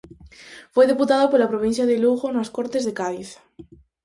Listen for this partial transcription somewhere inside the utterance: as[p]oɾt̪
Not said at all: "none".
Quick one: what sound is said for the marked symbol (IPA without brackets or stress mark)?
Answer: k